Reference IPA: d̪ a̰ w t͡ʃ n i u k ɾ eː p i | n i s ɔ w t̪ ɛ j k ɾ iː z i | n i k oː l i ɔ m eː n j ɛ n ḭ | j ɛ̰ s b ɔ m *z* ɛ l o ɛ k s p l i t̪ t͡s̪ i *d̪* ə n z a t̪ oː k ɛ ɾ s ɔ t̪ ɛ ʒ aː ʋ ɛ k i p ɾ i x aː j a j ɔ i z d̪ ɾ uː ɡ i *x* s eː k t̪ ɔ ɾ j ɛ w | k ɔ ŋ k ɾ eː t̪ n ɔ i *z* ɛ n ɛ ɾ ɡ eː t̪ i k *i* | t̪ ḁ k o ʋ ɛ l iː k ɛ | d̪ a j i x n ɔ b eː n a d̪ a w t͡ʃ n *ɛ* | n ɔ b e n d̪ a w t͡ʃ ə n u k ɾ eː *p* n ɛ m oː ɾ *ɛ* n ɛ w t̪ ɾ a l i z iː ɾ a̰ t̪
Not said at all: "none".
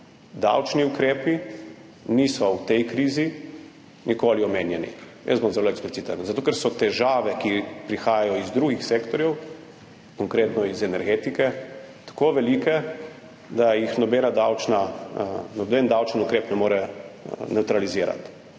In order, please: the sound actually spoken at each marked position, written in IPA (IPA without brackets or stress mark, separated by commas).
z, t̪, x, z, ɛ, a, p, ɛ